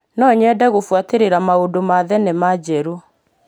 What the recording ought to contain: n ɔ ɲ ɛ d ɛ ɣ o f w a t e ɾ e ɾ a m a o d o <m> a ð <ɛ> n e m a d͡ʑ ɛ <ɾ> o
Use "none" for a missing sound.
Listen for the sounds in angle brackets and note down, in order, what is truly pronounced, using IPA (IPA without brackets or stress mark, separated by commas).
m, ɛ, ɾ